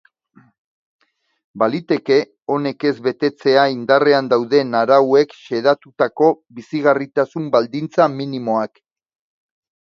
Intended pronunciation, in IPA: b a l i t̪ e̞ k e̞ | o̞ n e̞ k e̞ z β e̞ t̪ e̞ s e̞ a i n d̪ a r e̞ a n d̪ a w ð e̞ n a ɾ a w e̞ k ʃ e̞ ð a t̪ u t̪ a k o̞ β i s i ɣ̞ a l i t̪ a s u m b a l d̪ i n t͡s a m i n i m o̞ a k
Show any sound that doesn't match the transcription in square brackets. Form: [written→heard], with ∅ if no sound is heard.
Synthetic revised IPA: b a l i t̪ e̞ k e̞ | o̞ n e̞ k e̞ z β e̞ t̪ e̞ [s→t͡s] e̞ a i n d̪ a r e̞ a n d̪ a w ð e̞ n a ɾ a w e̞ k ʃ e̞ ð a t̪ u t̪ a k o̞ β i s i ɣ̞ a [l→r] i t̪ a s u m b a l d̪ i n t͡s a m i n i m o̞ a k